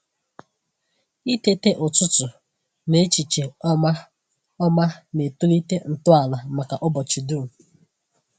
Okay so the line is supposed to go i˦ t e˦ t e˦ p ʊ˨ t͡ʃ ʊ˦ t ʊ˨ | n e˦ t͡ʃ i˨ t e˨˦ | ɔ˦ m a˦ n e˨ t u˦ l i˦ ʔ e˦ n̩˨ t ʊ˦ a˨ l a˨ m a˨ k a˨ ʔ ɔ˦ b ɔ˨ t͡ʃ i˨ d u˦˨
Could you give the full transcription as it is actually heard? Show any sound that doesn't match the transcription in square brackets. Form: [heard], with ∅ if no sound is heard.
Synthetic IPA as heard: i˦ t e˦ t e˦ [ʔ] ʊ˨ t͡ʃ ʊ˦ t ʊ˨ | n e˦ t͡ʃ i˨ [t͡ʃ] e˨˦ | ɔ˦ m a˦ n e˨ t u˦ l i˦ [t] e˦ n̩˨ t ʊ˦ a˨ l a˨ m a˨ k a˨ ʔ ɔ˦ b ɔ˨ t͡ʃ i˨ d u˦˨